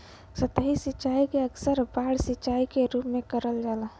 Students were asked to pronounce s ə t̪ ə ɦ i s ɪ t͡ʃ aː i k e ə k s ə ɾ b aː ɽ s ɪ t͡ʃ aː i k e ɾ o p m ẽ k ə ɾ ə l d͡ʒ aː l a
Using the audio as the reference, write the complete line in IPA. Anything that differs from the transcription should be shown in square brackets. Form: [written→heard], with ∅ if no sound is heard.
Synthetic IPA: s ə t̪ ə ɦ i s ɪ t͡ʃ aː i k e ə k s ə ɾ b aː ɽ s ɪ t͡ʃ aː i k e ɾ [o→u] p m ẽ k ə ɾ ə l d͡ʒ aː l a